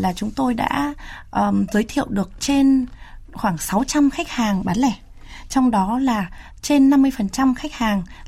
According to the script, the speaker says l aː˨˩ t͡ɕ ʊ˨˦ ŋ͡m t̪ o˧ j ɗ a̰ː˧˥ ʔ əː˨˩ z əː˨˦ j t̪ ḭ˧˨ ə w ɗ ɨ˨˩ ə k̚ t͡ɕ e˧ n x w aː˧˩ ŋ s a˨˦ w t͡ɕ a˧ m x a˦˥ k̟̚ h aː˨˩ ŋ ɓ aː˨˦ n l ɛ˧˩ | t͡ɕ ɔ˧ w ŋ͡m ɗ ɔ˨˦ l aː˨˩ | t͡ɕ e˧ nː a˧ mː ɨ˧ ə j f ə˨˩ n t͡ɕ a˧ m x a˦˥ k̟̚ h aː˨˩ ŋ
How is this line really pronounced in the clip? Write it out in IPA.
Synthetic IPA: l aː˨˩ t͡ɕ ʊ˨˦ ŋ͡m t̪ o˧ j ɗ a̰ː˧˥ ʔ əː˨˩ z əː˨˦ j t̪ʰ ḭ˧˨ ə w ɗ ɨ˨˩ ə k̚ t͡ɕ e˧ n x w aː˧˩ ŋ s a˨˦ w t͡ɕ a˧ m x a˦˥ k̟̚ h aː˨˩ ŋ ɓ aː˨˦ n l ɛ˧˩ | t͡ɕ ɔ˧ w ŋ͡m ɗ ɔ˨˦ l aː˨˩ | t͡ɕ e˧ nː a˧ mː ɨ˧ ə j f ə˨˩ n t͡ɕ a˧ m x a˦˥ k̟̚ h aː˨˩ ŋ